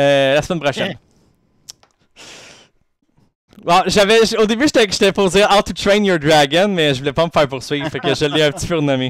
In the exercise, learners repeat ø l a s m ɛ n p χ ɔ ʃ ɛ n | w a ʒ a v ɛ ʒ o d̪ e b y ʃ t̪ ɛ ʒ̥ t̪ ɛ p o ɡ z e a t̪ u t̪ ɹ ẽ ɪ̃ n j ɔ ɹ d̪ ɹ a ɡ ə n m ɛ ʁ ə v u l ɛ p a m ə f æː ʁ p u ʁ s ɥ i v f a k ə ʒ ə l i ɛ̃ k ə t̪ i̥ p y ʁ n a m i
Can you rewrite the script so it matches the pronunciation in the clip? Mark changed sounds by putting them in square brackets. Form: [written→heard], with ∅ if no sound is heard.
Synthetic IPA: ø l a s m ɛ n p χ ɔ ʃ ɛ n | w a ʒ a v ɛ ʒ o d̪ e b y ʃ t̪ ɛ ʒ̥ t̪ ɛ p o [ɡ→∅] z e a t̪ u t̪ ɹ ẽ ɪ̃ n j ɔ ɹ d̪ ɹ a ɡ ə n m ɛ [ʁ→ʒ] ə v u l ɛ p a m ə f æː ʁ p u ʁ s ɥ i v f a k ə ʒ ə l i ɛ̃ [k→p] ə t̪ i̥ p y ʁ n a m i